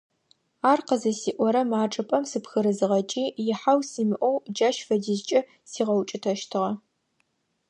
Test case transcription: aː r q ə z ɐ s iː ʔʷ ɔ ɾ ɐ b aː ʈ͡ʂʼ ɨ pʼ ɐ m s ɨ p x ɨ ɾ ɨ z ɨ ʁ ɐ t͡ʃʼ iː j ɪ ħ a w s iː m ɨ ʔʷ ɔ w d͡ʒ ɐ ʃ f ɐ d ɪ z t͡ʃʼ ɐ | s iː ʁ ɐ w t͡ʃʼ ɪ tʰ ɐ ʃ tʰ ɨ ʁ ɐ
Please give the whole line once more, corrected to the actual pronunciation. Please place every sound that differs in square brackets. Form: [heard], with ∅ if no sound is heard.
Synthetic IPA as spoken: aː r q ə z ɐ s iː ʔʷ ɔ ɾ ɐ [m] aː ʈ͡ʂʼ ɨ pʼ ɐ m s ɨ p x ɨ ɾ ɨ z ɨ ʁ ɐ t͡ʃʼ iː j ɪ ħ a w s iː m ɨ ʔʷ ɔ w d͡ʒ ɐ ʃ f ɐ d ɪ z t͡ʃʼ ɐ | s iː ʁ ɐ w t͡ʃʼ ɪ tʰ ɐ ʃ tʰ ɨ ʁ ɐ